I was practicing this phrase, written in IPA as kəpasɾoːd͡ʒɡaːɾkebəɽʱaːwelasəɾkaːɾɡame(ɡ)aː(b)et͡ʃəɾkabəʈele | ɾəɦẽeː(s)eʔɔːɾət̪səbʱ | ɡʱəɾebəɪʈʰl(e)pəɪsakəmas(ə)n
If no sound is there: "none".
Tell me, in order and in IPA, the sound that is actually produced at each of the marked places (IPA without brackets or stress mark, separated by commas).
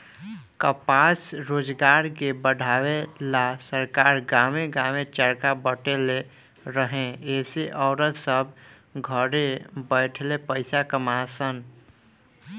ɡ, m, s, e, ə